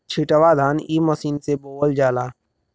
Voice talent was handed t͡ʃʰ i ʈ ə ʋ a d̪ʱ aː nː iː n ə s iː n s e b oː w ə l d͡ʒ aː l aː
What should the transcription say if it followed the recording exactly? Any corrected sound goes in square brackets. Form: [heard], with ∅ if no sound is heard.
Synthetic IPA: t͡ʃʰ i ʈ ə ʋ a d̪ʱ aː [n] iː [m] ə s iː n s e b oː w ə l d͡ʒ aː l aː